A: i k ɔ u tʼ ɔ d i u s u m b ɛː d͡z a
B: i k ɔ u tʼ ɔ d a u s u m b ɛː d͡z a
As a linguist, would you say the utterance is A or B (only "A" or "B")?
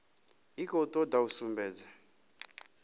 B